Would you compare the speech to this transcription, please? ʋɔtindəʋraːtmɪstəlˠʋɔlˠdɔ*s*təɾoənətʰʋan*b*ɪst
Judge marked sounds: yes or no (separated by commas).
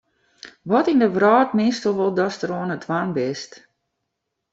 yes, yes